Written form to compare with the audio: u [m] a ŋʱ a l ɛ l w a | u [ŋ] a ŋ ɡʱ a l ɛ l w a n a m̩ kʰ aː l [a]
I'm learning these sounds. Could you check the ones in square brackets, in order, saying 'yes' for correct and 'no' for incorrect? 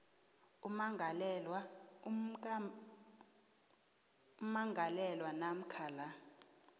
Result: yes, no, yes

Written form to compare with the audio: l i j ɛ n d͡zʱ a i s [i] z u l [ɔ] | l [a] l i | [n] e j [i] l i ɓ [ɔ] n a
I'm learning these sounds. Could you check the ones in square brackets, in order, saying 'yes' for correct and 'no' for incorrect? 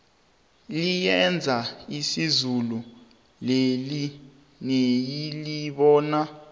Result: yes, no, no, yes, yes, no

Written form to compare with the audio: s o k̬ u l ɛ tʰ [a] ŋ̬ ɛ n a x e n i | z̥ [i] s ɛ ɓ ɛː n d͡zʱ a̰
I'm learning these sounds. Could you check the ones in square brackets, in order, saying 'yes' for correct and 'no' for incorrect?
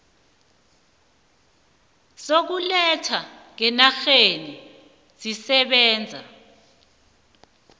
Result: yes, yes

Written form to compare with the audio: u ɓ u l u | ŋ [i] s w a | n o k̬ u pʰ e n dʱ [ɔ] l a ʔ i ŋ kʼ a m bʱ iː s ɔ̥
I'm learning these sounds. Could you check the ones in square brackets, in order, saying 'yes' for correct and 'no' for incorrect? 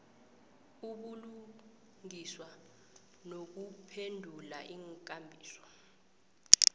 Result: yes, no

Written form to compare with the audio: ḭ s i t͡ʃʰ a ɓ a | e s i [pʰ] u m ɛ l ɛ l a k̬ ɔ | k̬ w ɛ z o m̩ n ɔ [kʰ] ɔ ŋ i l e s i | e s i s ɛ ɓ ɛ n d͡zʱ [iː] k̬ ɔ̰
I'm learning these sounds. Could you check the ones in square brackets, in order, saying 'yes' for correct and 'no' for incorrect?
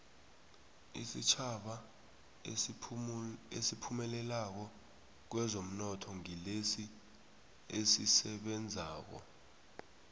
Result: yes, no, no

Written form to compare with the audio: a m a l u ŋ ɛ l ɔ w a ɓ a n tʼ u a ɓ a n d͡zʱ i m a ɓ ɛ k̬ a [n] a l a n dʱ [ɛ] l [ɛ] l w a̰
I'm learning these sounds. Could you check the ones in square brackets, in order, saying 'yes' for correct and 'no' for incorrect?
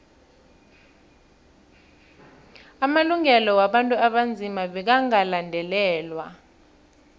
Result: no, yes, no

